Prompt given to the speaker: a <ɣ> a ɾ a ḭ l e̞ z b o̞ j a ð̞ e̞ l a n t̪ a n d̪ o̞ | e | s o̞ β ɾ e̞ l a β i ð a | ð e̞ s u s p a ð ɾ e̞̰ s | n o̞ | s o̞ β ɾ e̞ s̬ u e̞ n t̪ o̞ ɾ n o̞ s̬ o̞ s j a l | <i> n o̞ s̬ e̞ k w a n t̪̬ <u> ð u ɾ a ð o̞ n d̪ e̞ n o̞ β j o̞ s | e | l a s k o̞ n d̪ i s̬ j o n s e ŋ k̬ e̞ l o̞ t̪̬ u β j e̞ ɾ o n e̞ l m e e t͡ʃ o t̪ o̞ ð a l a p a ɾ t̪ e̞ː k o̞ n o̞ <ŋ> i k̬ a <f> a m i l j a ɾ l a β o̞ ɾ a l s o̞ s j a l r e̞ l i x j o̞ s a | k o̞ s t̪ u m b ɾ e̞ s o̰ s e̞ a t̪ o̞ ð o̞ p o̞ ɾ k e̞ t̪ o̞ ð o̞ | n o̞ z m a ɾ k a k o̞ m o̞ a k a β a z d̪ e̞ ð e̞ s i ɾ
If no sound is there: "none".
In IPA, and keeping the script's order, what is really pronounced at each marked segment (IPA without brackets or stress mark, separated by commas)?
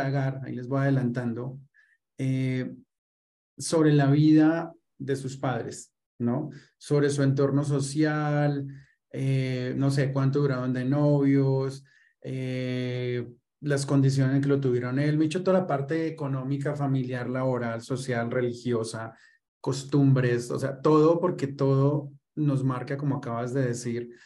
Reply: ɣ, e, o, m, f